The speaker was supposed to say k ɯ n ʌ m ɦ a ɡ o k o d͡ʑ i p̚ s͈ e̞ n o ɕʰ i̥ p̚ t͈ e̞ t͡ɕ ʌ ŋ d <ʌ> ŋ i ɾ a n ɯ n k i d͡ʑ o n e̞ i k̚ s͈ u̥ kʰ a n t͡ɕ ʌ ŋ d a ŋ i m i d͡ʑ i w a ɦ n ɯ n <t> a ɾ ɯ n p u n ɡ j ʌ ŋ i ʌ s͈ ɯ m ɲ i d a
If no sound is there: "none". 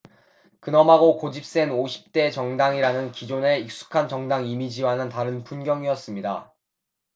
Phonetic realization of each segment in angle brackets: a, t

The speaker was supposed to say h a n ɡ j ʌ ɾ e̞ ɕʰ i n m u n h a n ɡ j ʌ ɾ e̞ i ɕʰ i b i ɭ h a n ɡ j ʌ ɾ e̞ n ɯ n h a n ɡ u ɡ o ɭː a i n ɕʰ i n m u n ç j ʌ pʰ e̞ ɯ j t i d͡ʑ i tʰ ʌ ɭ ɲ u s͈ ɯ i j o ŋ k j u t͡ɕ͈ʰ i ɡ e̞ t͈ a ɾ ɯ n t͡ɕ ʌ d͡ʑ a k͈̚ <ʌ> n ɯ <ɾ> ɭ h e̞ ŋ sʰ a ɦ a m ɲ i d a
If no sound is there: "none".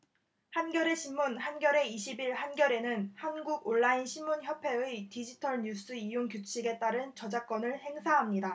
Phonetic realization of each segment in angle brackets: ʌ, none

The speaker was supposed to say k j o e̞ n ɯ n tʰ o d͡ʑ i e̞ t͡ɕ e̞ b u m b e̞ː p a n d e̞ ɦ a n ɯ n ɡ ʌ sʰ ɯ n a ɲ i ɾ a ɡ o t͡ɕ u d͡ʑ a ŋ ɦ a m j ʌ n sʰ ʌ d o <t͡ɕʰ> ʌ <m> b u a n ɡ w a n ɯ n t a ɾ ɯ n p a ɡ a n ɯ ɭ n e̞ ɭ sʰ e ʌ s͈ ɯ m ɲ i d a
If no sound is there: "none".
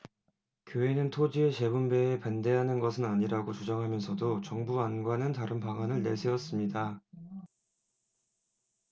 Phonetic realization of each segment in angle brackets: t͡ɕ, ŋ

